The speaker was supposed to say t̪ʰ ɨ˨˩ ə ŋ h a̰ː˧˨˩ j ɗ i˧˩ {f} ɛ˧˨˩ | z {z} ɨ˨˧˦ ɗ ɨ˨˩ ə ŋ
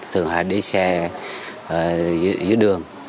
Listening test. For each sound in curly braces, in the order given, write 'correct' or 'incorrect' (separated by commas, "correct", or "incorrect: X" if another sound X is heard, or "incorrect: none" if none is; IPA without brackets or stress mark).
incorrect: s, correct